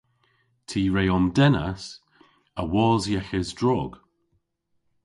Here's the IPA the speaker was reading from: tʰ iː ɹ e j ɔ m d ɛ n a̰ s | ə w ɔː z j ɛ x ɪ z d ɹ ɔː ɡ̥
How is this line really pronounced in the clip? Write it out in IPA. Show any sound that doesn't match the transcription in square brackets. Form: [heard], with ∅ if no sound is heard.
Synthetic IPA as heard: tʰ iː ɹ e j ɔ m d ɛ n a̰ s | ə w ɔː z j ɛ x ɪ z d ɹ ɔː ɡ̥